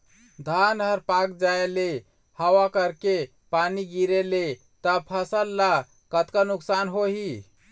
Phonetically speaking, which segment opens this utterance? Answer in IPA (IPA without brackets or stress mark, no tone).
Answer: d̪ʱ